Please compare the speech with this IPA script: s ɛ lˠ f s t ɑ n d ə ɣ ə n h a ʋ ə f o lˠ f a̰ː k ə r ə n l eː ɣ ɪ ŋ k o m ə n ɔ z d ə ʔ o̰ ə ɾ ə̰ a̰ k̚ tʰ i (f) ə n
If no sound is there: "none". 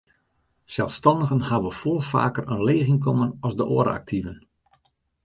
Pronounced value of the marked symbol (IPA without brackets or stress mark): v